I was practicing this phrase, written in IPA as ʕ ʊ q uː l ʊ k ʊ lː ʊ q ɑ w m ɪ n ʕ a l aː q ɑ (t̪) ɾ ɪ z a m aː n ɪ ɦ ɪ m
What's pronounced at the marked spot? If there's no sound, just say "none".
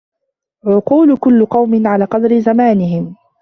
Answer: d̪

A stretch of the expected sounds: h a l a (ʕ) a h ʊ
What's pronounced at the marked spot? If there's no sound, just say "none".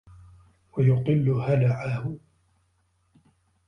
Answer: ʕ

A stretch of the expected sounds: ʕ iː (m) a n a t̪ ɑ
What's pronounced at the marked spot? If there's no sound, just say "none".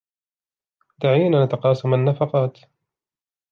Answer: n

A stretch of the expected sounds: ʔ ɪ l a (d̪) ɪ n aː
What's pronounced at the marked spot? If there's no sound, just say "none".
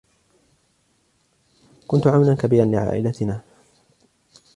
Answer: t̪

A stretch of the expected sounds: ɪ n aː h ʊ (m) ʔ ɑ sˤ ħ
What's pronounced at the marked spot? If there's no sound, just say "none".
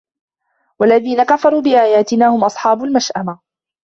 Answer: m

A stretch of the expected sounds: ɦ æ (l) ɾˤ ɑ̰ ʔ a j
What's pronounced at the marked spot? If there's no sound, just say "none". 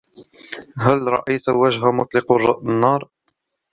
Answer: l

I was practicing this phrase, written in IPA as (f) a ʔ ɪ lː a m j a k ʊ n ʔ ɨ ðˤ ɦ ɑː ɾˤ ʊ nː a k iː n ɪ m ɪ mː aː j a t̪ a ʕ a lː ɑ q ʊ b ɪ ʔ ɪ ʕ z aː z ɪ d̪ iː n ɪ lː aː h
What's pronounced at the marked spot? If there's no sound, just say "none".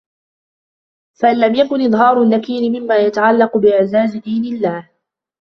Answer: f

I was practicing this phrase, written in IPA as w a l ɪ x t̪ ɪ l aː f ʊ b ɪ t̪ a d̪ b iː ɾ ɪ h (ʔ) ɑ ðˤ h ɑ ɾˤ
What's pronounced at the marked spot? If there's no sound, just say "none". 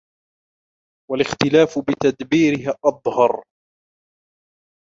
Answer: ʔ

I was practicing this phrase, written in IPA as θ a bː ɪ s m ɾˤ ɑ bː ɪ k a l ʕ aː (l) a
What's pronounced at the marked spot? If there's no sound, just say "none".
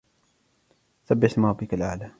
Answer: l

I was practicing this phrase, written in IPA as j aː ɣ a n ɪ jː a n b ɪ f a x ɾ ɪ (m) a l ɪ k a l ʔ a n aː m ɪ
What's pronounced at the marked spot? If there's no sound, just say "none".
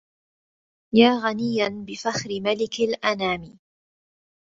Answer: m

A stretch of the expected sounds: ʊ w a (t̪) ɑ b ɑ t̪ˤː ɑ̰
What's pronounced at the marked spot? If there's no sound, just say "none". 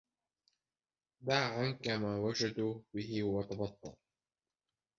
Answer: t̪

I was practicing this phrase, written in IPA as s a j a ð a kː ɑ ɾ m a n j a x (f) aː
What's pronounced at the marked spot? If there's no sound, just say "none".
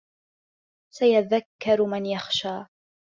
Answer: ʃ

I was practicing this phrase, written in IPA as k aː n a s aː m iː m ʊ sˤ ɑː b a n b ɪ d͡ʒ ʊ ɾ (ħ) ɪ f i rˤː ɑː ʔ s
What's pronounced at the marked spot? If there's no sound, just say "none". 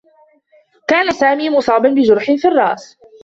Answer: ħ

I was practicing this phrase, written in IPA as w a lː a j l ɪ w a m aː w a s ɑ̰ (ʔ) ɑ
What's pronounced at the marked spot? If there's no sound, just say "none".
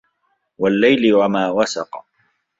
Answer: q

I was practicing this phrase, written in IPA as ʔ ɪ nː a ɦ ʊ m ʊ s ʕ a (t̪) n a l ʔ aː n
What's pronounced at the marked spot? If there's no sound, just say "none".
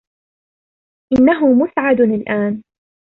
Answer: d̪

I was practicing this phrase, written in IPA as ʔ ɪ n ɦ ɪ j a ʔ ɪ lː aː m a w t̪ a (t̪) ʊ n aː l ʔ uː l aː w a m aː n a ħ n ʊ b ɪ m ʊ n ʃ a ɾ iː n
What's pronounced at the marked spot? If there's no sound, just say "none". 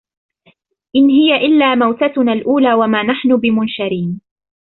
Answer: t̪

